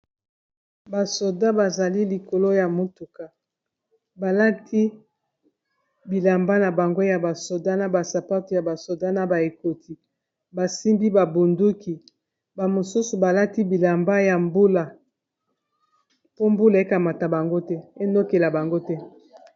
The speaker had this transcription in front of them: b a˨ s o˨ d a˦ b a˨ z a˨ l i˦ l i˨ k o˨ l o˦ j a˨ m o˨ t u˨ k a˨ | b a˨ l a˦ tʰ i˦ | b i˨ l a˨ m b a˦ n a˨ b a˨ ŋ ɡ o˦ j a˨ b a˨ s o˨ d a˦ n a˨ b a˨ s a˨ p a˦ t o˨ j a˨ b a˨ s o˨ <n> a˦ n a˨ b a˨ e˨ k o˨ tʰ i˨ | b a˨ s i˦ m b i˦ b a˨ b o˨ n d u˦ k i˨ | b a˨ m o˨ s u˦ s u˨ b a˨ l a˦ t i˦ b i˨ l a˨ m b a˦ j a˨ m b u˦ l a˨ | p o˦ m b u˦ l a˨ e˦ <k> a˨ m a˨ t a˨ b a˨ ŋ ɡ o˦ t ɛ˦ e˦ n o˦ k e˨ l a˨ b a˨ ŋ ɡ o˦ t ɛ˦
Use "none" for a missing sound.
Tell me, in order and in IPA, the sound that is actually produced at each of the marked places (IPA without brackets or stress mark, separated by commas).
d, k